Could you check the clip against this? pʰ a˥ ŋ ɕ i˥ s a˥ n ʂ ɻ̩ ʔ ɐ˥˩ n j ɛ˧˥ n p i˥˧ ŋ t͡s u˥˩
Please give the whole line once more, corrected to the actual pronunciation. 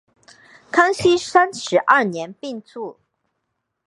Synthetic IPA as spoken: kʰ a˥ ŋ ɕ i˥ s a˥ n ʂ ɻ̩ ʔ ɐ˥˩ n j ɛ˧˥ n p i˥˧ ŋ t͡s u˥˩